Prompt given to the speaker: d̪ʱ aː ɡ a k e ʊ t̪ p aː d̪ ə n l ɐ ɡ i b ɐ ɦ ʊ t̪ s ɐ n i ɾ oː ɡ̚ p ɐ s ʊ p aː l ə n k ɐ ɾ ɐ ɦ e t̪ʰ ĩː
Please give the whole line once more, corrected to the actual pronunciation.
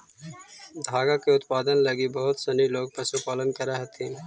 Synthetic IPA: d̪ʱ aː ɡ a k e ʊ t̪ p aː d̪ ə n l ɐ ɡ i b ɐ ɦ ʊ t̪ s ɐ n i l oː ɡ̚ p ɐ s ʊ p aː l ə n k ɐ ɾ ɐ ɦ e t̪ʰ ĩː